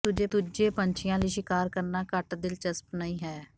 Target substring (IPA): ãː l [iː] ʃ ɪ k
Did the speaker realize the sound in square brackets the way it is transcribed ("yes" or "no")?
yes